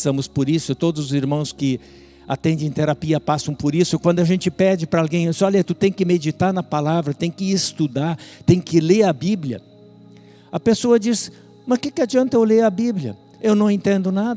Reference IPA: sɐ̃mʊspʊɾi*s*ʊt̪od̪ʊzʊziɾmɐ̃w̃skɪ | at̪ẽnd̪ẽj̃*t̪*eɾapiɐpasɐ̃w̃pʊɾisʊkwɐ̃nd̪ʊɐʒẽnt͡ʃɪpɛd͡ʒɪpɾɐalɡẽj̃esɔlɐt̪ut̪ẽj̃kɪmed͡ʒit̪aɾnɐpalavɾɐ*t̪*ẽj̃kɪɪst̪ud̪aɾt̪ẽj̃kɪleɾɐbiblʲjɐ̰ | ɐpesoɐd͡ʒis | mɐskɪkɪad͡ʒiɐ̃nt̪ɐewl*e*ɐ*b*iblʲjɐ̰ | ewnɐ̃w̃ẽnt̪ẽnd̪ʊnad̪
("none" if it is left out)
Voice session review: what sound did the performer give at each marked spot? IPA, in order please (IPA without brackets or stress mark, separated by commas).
s, t̪, t̪, e, b